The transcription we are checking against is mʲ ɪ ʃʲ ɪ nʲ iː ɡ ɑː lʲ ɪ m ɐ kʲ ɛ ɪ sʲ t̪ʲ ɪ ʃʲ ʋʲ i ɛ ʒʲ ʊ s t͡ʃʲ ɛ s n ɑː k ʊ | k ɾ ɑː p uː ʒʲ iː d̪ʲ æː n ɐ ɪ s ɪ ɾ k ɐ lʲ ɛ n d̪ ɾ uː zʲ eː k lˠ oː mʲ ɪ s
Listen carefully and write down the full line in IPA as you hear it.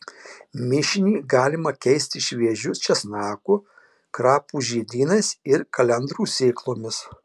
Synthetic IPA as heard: mʲ ɪ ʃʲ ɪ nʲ iː ɡ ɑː lʲ ɪ m ɐ kʲ ɛ ɪ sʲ t̪ʲ ɪ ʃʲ ʋʲ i ɛ ʒʲ ʊ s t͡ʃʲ ɛ s n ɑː k ʊ | k ɾ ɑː p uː ʒʲ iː d̪ʲ iː n ɐ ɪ s ɪ ɾ k ɐ lʲ ɛ n d̪ ɾ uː sʲ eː k lˠ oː mʲ ɪ s